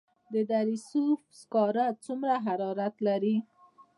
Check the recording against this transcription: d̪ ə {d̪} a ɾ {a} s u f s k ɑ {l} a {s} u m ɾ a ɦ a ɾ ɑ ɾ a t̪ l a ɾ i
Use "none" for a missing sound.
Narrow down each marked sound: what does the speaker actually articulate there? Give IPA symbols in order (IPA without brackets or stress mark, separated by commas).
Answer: d̪, i, ɾ, t͡s